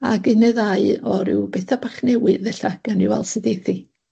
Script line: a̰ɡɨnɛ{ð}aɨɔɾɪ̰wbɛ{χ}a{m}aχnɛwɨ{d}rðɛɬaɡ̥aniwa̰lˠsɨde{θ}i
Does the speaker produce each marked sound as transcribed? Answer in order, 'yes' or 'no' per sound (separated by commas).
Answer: yes, no, no, no, yes